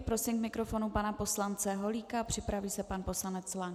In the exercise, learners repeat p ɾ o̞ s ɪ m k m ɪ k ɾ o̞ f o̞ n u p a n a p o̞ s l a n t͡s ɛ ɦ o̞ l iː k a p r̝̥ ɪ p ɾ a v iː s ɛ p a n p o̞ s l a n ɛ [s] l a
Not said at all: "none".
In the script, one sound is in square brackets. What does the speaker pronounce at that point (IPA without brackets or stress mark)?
t͡s